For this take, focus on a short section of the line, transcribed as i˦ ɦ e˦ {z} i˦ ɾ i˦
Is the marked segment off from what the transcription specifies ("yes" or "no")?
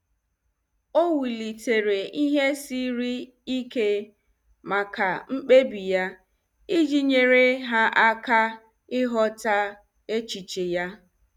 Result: yes